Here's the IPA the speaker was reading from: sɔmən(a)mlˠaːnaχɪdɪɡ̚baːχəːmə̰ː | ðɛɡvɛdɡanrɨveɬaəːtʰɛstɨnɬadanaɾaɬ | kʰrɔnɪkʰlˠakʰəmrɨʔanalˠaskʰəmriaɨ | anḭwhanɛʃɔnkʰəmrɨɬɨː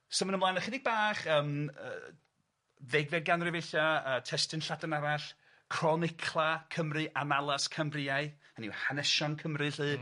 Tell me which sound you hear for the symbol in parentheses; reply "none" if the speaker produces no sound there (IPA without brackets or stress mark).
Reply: ə